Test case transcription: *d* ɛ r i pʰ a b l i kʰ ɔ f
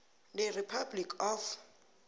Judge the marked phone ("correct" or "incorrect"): correct